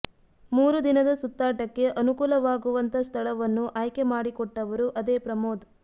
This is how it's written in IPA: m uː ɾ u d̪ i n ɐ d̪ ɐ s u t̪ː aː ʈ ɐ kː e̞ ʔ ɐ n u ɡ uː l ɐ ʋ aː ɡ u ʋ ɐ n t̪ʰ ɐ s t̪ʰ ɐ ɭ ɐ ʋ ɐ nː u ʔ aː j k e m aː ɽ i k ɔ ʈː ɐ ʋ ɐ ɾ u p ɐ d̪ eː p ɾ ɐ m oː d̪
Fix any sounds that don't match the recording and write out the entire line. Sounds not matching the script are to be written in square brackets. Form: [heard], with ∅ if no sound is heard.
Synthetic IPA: m uː ɾ u d̪ i n ɐ d̪ ɐ s u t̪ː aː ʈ ɐ kː e̞ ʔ ɐ n u [k] uː l ɐ ʋ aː ɡ u ʋ ɐ n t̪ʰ ɐ s t̪ʰ ɐ ɭ ɐ ʋ ɐ nː u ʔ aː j k e m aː ɽ i k ɔ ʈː ɐ ʋ ɐ ɾ u [ʔ] ɐ d̪ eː p ɾ ɐ m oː d̪